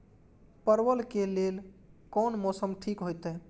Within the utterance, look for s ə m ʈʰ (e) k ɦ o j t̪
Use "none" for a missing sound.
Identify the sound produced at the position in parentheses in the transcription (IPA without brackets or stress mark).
i